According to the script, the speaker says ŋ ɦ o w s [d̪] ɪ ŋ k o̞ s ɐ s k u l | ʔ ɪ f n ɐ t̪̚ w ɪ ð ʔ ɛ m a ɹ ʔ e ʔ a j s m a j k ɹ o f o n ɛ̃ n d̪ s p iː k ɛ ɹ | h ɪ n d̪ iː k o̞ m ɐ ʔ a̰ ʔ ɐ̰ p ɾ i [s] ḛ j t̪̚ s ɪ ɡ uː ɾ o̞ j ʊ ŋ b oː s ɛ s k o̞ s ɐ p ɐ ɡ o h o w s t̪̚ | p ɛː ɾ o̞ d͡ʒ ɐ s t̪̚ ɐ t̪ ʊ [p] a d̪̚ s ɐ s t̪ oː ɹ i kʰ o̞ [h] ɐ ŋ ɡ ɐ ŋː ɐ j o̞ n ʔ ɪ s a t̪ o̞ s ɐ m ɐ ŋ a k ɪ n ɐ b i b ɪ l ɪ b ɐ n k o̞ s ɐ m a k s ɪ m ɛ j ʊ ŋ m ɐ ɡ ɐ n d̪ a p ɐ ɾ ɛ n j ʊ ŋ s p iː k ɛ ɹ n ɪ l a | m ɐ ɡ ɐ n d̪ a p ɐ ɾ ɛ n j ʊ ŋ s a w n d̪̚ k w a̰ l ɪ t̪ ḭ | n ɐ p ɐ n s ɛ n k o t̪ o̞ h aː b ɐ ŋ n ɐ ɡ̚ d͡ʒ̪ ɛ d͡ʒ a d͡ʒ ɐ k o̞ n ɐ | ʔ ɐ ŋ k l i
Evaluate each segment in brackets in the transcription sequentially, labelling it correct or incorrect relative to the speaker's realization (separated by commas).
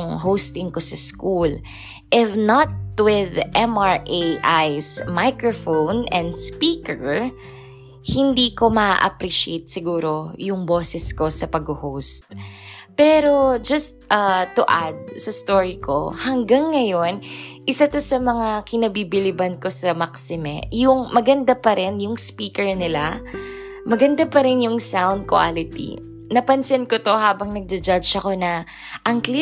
incorrect, incorrect, incorrect, correct